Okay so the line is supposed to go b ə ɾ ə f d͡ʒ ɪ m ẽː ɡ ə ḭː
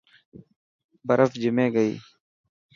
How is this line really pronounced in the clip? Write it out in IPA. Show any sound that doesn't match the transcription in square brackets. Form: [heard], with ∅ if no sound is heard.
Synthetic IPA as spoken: b ə ɾ ə f d͡ʒ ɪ m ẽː ɡ ə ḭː

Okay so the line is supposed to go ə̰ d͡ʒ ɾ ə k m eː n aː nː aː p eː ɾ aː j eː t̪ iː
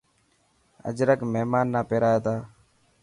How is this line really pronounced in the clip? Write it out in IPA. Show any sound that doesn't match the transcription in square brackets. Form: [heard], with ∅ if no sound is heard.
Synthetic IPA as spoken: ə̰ d͡ʒ ɾ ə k m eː [m] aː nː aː p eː ɾ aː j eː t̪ [aː]

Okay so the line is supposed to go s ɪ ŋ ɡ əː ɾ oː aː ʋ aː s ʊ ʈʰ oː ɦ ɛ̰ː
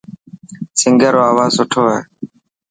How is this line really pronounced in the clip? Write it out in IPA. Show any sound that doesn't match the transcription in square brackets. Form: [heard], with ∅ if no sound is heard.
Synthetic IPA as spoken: s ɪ ŋ ɡ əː ɾ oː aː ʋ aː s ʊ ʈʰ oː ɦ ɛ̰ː

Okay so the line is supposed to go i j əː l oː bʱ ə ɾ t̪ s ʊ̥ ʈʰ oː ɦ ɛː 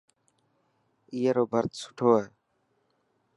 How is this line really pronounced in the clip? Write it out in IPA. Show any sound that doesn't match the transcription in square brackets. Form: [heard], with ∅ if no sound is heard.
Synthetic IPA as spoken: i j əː [ɾ] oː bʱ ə ɾ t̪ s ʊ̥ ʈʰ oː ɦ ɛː

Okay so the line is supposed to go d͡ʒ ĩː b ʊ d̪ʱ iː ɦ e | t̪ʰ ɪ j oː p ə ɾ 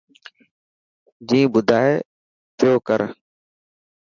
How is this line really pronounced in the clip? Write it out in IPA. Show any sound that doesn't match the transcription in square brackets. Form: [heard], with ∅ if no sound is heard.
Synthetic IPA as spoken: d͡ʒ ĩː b ʊ d̪ʱ [aː] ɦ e | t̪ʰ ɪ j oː [k] ə ɾ

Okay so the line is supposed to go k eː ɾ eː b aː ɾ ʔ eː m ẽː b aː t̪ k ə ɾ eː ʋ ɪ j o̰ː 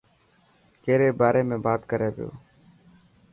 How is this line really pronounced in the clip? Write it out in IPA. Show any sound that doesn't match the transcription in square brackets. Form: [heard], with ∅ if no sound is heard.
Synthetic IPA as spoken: k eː ɾ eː b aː ɾ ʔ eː m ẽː b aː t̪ k ə ɾ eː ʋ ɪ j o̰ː

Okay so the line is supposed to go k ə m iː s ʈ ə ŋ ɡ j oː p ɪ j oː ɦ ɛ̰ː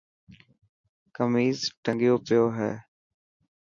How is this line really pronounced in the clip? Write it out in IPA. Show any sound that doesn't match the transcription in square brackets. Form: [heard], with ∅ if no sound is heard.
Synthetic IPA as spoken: k ə m iː [z] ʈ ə ŋ ɡ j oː p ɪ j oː ɦ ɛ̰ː

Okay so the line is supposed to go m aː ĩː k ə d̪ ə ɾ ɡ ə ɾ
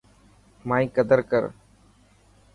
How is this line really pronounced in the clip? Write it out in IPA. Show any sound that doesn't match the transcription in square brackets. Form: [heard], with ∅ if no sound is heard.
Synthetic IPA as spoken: m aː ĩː k ə d̪ ə ɾ [k] ə ɾ

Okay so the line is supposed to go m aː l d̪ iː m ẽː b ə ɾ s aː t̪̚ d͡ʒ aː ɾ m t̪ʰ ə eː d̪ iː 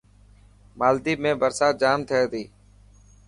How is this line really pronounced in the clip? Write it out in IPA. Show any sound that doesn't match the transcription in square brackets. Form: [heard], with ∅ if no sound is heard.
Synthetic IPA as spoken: m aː l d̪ iː m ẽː b ə ɾ s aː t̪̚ d͡ʒ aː [∅] m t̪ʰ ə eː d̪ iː

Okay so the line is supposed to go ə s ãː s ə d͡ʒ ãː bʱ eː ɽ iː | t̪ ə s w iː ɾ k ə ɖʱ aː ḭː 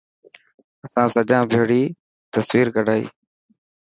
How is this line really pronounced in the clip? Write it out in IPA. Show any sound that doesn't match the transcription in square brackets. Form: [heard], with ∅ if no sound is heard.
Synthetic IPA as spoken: ə s ãː s ə d͡ʒ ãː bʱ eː ɽ iː | t̪ ə s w iː ɾ k ə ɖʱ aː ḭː

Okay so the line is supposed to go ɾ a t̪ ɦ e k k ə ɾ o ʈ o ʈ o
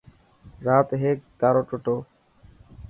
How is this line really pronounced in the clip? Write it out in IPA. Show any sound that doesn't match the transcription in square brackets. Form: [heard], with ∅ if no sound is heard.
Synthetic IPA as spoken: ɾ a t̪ ɦ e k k [a] ɾ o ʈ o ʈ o

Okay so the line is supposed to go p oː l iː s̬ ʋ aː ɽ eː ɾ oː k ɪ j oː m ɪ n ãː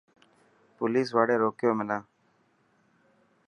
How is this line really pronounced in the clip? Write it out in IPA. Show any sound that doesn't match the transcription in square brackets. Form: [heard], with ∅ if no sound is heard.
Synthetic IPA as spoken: p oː l iː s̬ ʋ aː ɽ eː ɾ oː k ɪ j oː m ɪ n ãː

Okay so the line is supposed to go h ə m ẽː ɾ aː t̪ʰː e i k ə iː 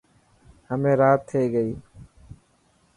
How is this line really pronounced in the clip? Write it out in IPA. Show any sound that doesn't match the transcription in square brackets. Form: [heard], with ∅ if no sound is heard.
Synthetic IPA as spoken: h ə m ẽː ɾ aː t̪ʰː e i [ɡ] ə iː

